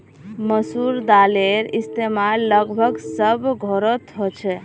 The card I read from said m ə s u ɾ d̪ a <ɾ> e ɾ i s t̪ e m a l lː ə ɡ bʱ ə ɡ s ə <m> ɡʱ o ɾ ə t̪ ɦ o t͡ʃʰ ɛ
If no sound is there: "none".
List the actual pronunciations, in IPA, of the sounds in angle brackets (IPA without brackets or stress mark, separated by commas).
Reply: l, b